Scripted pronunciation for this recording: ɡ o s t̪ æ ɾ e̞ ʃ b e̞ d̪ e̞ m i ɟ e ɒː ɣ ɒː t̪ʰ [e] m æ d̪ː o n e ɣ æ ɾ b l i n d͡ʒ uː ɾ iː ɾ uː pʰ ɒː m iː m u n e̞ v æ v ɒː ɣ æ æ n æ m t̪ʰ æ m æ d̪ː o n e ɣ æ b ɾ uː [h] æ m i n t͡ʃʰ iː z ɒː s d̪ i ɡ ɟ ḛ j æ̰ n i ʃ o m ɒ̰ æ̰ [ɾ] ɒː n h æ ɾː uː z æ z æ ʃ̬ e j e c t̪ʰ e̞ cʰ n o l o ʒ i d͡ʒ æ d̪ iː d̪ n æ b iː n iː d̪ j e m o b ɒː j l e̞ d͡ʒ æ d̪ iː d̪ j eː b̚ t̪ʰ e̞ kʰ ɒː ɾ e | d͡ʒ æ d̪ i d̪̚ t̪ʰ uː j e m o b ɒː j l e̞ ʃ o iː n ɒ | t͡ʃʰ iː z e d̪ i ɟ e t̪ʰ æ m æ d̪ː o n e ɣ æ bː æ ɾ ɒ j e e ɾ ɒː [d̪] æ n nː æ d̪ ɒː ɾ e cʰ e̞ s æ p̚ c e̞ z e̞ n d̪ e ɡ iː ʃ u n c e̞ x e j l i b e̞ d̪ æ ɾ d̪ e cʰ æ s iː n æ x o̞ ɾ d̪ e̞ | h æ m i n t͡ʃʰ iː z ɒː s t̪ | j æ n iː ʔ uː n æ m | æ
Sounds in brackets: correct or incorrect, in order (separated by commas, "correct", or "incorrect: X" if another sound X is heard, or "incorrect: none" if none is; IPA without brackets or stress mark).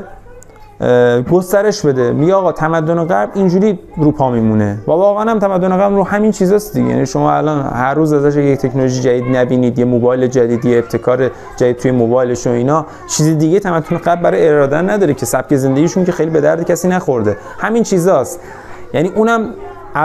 incorrect: æ, correct, incorrect: l, correct